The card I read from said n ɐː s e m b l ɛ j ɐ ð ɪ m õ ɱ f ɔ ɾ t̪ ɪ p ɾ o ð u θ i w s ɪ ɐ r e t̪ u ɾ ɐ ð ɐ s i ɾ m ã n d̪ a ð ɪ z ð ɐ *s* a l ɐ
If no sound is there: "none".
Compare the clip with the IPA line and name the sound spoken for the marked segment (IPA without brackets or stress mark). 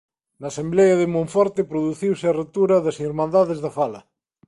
f